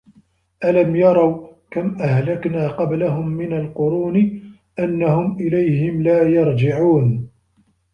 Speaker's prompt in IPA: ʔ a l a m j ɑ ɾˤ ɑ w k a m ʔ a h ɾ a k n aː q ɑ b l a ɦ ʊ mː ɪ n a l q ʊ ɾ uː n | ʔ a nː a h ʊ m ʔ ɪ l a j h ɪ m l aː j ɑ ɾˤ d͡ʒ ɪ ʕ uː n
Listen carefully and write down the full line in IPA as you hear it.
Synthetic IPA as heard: ʔ a l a m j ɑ ɾˤ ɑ w k a m ʔ a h l a k n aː q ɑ b l a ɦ ʊ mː ɪ n a l q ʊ ɾ uː n | ʔ a nː a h ʊ m ʔ ɪ l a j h ɪ m l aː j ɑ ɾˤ d͡ʒ ɪ ʕ uː n